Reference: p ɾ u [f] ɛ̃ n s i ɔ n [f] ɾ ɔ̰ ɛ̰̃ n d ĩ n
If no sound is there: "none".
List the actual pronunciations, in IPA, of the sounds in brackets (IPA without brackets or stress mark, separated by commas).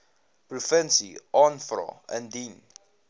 f, f